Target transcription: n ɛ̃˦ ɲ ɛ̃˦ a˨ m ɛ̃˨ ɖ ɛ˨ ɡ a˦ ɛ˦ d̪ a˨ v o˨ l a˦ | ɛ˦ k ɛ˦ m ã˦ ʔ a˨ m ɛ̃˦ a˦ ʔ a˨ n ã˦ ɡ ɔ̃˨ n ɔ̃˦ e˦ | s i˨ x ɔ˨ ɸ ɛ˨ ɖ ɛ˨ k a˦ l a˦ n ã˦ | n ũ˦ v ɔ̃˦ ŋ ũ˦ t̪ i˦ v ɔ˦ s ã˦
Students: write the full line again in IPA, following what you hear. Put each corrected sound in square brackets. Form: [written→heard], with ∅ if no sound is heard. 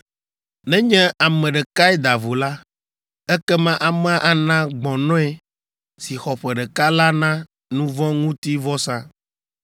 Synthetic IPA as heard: n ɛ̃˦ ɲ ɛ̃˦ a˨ m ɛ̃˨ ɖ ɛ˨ [ɡ→k] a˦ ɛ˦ d̪ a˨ v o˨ l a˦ | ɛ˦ k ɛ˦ m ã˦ ʔ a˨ m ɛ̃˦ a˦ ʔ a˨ n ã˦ [ɡ→ɡ͡b] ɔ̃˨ n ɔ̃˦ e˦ | s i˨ x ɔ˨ ɸ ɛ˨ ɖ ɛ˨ k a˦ l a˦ n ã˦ | n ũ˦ v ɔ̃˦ ŋ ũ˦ t̪ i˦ v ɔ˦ s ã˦